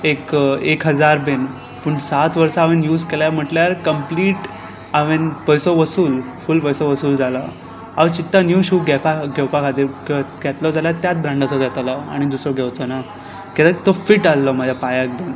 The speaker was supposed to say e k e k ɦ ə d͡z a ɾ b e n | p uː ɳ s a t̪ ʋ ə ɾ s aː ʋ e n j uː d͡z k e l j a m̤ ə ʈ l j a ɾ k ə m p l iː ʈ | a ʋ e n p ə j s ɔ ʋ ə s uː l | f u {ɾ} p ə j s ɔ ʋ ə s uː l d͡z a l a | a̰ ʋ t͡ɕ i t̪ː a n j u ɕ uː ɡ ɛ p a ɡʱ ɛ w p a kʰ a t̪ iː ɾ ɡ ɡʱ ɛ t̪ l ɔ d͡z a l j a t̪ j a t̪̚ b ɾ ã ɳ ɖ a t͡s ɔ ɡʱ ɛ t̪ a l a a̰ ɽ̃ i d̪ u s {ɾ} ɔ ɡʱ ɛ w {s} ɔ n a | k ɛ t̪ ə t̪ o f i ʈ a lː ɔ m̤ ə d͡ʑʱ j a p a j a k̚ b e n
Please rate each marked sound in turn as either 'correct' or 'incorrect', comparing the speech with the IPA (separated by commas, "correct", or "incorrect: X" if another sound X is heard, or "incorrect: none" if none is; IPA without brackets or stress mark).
incorrect: l, correct, incorrect: t͡s